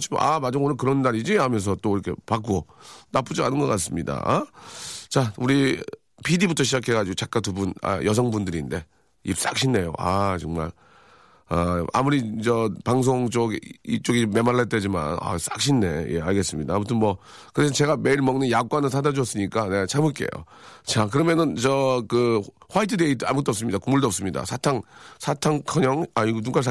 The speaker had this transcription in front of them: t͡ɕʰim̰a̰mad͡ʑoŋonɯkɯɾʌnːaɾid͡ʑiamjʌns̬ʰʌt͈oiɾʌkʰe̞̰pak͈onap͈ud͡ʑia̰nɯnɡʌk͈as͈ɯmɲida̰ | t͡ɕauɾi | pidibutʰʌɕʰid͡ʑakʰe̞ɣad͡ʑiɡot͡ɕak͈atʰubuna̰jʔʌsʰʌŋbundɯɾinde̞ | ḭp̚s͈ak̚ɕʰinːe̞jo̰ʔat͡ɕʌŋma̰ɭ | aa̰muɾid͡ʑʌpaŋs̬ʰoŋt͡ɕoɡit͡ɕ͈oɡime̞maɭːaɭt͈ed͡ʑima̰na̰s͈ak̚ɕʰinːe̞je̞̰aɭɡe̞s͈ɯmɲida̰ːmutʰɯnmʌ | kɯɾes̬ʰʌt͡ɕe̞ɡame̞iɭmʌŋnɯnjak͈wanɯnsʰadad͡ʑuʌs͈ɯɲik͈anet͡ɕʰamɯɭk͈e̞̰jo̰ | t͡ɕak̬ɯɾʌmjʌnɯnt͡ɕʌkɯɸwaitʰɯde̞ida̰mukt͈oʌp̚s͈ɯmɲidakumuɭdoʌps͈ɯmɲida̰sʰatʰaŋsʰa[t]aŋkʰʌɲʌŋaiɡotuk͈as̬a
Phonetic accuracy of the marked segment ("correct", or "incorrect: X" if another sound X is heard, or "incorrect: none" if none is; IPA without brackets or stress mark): incorrect: tʰ